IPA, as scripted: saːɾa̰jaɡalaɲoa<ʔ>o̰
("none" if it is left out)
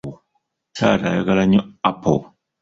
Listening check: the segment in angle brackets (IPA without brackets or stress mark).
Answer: p